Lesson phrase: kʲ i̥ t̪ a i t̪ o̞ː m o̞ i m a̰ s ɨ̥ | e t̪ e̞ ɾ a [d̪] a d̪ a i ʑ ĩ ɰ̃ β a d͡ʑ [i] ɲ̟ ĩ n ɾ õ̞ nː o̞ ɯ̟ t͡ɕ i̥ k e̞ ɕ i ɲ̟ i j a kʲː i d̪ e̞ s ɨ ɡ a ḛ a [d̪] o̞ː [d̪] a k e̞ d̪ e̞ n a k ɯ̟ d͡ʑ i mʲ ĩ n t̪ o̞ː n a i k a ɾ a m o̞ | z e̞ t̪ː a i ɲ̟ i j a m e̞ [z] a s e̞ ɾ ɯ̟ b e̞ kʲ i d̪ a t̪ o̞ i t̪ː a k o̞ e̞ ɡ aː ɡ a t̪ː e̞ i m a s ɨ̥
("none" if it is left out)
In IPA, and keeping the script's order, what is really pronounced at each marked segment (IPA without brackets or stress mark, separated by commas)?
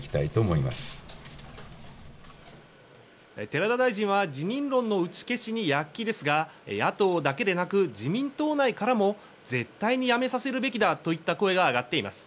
d̪, i, t̪, d̪, s